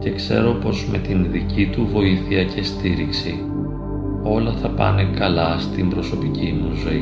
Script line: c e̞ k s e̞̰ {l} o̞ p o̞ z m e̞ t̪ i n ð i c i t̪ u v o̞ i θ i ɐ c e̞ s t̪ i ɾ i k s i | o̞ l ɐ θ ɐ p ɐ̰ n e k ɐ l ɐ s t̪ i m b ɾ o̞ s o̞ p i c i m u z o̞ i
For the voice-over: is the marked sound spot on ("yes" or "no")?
no